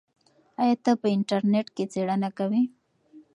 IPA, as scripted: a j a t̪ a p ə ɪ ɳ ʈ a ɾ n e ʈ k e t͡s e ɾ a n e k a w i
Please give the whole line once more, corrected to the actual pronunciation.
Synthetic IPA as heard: a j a t̪ a p ə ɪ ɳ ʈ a ɾ n e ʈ k e t͡s e ɽ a n a k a w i